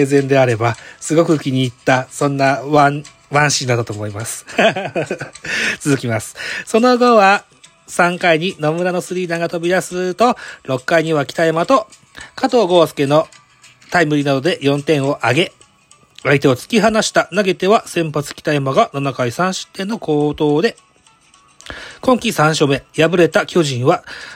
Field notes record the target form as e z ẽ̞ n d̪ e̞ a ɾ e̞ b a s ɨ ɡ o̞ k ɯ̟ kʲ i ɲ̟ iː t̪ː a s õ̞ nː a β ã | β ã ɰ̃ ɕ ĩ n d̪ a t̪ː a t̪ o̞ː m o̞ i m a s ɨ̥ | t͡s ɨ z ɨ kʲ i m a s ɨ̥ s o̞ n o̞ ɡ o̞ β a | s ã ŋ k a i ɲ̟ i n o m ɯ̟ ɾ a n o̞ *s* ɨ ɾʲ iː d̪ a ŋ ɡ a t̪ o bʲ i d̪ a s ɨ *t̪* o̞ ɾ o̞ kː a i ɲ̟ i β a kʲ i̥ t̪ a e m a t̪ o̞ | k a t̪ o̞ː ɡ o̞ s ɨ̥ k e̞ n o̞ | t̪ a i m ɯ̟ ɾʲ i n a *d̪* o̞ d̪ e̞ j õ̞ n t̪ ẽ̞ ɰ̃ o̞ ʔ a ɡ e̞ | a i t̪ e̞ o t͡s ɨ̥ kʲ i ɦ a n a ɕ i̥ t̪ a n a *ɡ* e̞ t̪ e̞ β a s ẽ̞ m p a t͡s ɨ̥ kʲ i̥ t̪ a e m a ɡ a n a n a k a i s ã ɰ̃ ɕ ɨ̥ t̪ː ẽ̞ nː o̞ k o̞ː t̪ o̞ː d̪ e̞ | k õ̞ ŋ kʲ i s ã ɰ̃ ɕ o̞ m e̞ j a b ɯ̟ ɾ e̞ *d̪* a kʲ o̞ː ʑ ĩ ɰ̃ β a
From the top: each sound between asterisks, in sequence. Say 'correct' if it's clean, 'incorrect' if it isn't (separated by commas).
correct, correct, correct, correct, incorrect